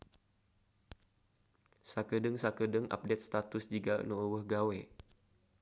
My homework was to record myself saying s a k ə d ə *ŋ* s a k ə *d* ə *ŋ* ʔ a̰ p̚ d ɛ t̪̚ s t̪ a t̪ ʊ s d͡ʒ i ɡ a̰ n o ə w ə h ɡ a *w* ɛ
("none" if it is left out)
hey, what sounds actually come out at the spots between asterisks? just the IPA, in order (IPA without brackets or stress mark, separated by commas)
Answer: ŋ, d, ŋ, w